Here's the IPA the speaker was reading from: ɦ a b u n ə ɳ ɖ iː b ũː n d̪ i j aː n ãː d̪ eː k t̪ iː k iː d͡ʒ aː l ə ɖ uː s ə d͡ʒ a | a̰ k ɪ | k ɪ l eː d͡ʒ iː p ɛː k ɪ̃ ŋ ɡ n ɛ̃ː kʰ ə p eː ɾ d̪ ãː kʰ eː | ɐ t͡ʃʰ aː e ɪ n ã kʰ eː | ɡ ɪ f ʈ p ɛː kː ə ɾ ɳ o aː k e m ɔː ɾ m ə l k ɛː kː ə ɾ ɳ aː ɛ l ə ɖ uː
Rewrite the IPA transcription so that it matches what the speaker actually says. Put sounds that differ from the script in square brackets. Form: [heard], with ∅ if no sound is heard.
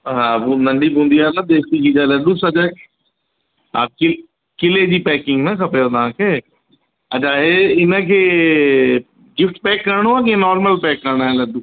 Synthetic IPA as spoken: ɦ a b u n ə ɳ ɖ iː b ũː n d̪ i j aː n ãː d̪ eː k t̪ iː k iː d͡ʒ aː l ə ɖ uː s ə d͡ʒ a | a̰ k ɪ | k ɪ l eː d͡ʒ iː p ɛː k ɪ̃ ŋ ɡ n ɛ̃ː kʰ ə p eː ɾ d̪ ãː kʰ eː | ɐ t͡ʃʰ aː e ɪ n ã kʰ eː | ɡ ɪ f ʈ p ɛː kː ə ɾ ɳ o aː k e [n] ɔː ɾ m ə l [p] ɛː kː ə ɾ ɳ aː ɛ l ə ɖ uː

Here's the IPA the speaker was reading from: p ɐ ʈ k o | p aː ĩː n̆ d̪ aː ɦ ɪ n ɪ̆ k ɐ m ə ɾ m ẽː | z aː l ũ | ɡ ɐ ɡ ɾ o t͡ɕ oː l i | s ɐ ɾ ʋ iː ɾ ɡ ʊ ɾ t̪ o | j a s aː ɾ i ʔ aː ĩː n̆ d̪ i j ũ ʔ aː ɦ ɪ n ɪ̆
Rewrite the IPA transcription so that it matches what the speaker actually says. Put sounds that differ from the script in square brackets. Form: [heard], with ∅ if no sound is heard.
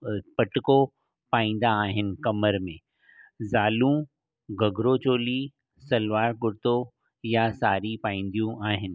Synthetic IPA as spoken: p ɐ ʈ k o | p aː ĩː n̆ d̪ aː ɦ ɪ n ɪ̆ k ɐ m ə ɾ m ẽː | z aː l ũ | ɡ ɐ ɡ ɾ o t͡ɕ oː l i | s ɐ [l] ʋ [aː] ɾ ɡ ʊ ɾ t̪ o | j a s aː ɾ i [p] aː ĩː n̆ d̪ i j ũ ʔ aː ɦ ɪ n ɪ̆

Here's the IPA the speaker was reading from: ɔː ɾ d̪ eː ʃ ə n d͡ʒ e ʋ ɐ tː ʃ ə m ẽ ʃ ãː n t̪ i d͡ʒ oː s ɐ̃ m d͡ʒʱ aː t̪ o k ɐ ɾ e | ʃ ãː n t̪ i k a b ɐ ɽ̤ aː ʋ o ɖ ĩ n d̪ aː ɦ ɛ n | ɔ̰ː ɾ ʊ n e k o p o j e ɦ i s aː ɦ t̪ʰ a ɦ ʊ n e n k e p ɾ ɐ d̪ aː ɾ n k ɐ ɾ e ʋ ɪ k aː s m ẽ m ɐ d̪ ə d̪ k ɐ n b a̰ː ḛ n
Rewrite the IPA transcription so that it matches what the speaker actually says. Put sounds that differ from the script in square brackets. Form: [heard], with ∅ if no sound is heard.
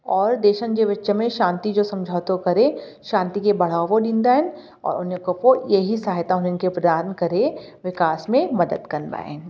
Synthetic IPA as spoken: ɔː ɾ d̪ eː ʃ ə n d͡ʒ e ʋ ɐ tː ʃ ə m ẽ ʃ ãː n t̪ i d͡ʒ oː s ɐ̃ m d͡ʒʱ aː t̪ o k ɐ ɾ e | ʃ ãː n t̪ i k [e] b ɐ ɽ̤ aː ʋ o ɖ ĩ n d̪ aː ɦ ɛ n | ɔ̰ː ɾ ʊ n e k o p o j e ɦ i s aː ɦ [t̪] a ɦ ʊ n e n k e p ɾ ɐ d̪ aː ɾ n k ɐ ɾ e ʋ ɪ k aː s m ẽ m ɐ d̪ ə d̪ k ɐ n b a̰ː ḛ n

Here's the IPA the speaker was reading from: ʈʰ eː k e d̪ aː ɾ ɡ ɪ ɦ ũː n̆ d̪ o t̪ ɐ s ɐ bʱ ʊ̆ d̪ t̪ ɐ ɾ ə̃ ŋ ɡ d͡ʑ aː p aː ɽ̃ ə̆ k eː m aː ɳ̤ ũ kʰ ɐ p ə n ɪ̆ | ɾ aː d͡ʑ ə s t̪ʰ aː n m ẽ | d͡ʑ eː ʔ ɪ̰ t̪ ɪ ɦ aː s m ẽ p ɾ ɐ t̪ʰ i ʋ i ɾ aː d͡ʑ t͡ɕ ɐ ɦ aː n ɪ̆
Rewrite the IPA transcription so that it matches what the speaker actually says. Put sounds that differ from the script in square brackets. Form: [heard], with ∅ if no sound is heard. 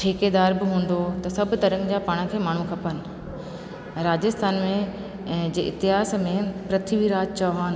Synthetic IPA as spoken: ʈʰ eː k e d̪ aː ɾ [b] ɪ ɦ ũː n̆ d̪ o t̪ ɐ s ɐ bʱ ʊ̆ [∅] t̪ ɐ ɾ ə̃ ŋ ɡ d͡ʑ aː p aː ɽ̃ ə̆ [kʰ] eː m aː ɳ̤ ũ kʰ ɐ p ə n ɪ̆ | ɾ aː d͡ʑ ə s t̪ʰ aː n m ẽ | d͡ʑ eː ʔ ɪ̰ t̪ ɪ ɦ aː s m ẽ p ɾ ɐ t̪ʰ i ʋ i ɾ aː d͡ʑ t͡ɕ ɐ ɦ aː n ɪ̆

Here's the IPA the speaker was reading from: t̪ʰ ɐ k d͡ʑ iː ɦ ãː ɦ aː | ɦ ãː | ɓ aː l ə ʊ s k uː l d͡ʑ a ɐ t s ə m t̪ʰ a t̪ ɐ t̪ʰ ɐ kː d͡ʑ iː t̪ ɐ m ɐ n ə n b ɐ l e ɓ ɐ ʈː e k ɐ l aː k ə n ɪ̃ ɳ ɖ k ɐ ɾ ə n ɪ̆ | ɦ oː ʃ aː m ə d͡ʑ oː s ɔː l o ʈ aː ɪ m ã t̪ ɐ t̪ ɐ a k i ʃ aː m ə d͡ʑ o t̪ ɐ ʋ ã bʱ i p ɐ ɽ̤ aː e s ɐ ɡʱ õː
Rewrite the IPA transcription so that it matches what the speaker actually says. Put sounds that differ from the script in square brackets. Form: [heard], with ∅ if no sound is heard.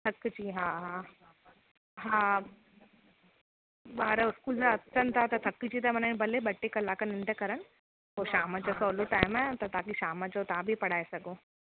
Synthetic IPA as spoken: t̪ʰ ɐ k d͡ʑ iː ɦ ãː ɦ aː | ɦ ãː | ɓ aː [ɾ] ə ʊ s k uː l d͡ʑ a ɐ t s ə [n] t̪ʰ a t̪ ɐ t̪ʰ ɐ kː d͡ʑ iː t̪ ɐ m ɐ n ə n b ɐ l e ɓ ɐ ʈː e k ɐ l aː k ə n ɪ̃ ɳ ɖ k ɐ ɾ ə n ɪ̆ | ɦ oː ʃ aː m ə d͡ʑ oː s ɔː l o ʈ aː ɪ m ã t̪ ɐ t̪ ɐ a k i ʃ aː m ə d͡ʑ o t̪ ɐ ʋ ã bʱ i p ɐ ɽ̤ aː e s ɐ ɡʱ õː

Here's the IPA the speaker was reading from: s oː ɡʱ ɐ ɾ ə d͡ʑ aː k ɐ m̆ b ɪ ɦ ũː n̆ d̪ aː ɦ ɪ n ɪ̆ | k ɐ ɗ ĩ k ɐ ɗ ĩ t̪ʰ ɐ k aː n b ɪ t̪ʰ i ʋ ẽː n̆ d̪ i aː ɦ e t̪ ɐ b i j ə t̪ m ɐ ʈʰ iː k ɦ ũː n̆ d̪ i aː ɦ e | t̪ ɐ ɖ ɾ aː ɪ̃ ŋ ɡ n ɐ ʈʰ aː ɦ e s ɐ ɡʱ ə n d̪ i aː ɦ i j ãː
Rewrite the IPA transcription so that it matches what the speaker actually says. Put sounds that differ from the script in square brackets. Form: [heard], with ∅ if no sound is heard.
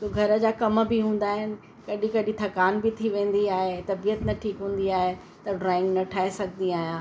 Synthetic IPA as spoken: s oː ɡʱ ɐ ɾ ə d͡ʑ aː k ɐ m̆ b ɪ ɦ ũː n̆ d̪ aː ɦ ɪ n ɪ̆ | k ɐ ɗ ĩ k ɐ ɗ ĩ t̪ʰ ɐ k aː n b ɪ t̪ʰ i ʋ ẽː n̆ d̪ i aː ɦ e t̪ ɐ b i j ə t̪ [n] ɐ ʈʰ iː k ɦ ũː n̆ d̪ i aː ɦ e | t̪ ɐ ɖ ɾ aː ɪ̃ ŋ ɡ n ɐ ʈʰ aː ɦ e s ɐ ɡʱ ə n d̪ i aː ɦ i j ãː

